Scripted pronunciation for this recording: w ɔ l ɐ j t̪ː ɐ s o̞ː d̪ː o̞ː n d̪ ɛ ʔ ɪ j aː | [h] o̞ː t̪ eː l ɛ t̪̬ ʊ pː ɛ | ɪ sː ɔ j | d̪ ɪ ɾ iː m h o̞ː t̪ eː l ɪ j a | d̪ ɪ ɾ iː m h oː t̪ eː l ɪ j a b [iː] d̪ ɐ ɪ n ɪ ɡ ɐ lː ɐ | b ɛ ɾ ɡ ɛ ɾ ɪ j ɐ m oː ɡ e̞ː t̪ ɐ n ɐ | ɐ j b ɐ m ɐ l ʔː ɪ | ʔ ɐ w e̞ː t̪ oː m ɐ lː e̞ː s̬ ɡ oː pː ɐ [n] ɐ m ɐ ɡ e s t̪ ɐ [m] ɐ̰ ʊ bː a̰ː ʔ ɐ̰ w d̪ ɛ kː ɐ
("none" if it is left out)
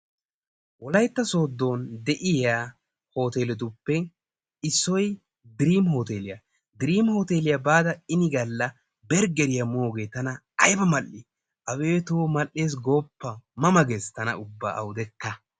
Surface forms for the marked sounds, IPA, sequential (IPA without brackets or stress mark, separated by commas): h, aː, m, n